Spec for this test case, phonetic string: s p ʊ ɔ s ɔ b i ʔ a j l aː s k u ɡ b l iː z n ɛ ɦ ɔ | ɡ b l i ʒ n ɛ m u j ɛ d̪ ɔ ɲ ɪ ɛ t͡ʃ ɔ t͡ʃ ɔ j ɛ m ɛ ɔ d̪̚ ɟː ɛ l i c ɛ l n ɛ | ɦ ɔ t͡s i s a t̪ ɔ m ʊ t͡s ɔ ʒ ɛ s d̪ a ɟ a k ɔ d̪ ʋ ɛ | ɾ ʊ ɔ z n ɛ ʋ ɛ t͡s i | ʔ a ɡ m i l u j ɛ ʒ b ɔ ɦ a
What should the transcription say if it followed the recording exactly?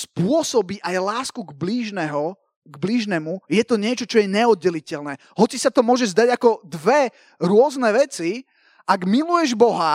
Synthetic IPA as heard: s p ʊ ɔ s ɔ b i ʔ a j l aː s k u ɡ b l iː ʒ n ɛ ɦ ɔ | ɡ b l i ʒ n ɛ m u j ɛ t̪ ɔ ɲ ɪ ɛ t͡ʃ ɔ t͡ʃ ɔ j ɛ ɲ ɛ ɔ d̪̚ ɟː ɛ l i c ɛ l n ɛ | ɦ ɔ t͡s i s a t̪ ɔ m ʊ ɔ ʒ ɛ z d̪ a ɟ a k ɔ d̪ ʋ ɛ | ɾ ʊ ɔ z n ɛ ʋ ɛ t͡s i | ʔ a ɡ m i l u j ɛ ʒ b ɔ ɦ a